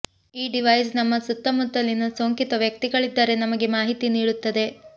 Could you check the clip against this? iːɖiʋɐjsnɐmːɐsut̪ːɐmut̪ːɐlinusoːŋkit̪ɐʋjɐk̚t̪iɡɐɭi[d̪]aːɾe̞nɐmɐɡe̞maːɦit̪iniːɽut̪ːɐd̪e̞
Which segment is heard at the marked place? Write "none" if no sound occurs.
d̪ː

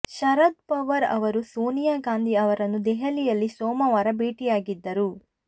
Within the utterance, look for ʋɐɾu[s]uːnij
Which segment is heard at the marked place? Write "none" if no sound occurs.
s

